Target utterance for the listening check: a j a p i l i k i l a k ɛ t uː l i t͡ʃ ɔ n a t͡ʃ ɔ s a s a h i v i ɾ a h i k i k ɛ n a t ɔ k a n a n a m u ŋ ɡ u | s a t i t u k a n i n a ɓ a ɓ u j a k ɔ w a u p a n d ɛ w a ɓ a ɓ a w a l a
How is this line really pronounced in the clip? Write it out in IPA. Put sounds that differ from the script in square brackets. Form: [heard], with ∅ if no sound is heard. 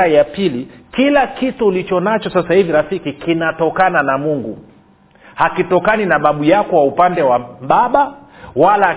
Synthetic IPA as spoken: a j a p i l i k i l a k [i] t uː l i t͡ʃ ɔ n a t͡ʃ ɔ s a s a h i v i ɾ a [f] i k i k [i] n a t ɔ k a n a n a m u ŋ ɡ u | [h] a [k] i t [ɔ] k a n i n a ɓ a ɓ u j a k ɔ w a u p a n d ɛ w a ɓ a ɓ a w a l a